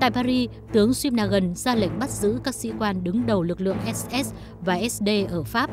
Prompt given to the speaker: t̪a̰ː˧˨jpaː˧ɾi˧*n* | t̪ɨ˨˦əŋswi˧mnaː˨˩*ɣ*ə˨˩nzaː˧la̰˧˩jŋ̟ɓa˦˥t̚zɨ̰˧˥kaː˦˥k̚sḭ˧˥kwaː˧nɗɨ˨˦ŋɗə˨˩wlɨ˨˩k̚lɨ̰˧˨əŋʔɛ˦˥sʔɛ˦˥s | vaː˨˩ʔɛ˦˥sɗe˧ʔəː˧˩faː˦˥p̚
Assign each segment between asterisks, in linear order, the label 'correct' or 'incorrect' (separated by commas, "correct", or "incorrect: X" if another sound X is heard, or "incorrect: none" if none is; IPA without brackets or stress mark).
incorrect: none, correct